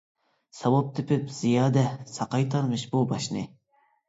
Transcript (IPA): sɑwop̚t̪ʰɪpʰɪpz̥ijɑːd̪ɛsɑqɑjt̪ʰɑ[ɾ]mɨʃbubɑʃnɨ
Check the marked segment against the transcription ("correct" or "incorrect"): correct